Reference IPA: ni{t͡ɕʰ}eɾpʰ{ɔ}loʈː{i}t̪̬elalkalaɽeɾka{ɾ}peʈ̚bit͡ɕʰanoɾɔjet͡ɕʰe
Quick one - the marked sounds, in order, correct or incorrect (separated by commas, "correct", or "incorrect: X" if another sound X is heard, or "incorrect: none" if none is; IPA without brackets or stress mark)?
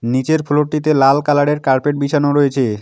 incorrect: t͡ɕ, incorrect: u, correct, correct